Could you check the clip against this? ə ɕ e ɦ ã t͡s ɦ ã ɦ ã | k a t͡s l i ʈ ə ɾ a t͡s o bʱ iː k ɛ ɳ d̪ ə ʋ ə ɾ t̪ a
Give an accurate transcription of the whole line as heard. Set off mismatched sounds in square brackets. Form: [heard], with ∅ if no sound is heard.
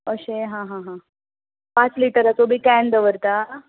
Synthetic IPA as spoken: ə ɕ e ɦ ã [∅] ɦ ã ɦ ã | [p] a t͡s l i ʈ ə ɾ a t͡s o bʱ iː k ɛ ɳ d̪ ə ʋ ə ɾ t̪ a